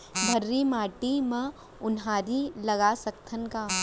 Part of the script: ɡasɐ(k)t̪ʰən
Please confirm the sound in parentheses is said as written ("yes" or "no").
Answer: yes